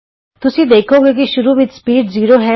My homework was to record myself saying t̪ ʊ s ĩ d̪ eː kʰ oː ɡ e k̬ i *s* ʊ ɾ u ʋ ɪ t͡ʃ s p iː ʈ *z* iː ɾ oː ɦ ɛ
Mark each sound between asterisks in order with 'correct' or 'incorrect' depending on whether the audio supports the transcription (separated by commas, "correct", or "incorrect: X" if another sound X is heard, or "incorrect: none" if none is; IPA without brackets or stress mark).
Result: incorrect: ʃ, correct